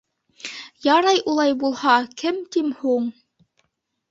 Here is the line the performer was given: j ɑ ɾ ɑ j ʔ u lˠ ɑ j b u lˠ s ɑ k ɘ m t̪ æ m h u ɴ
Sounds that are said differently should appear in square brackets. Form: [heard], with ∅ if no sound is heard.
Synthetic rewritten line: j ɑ ɾ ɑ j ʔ u lˠ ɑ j b u lˠ [h] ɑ k ɘ m t̪ [i] m h u ɴ